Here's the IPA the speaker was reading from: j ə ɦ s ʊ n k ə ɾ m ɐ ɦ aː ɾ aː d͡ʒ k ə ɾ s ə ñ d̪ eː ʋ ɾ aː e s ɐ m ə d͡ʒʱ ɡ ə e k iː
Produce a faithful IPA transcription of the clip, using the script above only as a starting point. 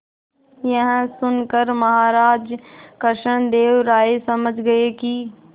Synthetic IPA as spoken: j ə ɦ s ʊ n k ə ɾ m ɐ ɦ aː ɾ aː d͡ʒ k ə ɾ ʃ ə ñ d̪ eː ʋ ɾ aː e s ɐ m ə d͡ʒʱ ɡ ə e k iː